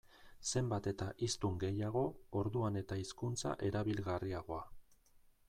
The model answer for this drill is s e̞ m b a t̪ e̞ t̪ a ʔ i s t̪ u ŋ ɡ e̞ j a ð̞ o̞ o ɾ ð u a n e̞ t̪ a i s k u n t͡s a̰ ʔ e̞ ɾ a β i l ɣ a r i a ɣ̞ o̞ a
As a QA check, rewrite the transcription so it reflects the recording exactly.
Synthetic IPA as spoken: s e̞ m b a t̪ e̞ t̪ a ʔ i s t̪ u ŋ ɡ e̞ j a ɣ̞ o̞ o ɾ ð u a n e̞ t̪ a i s k u n t͡s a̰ ʔ e̞ ɾ a β i l ɣ a r i a ɣ̞ o̞ a